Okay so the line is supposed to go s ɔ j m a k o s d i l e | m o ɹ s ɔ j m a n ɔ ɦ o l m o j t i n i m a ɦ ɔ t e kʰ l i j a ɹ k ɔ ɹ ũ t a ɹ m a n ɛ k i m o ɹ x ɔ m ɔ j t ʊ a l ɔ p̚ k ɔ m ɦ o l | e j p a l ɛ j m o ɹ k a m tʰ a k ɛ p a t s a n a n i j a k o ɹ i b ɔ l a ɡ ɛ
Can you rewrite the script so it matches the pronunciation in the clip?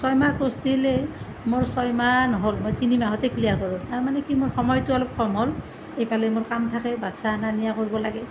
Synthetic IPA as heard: s ɔ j m a k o s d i l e | m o ɹ s ɔ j m a n ɔ ɦ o l m o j t i n i m a ɦ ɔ t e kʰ l i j a ɹ k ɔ ɹ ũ t a ɹ m a n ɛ k i m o ɹ x ɔ m ɔ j t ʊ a l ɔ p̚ k ɔ m ɦ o l | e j p a l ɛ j m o ɹ k a m tʰ a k ɛ b a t s a n a n i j a k o ɹ i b ɔ l a ɡ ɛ